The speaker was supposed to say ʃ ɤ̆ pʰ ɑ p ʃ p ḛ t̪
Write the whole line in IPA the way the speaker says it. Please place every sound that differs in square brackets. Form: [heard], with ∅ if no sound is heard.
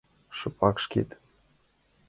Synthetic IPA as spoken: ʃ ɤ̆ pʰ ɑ [k] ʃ [k] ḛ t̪